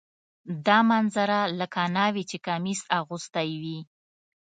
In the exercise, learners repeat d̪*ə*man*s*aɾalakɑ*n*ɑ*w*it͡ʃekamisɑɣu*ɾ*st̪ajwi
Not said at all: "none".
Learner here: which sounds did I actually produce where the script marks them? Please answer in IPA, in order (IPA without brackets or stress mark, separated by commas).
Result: ɑ, z, n, w, none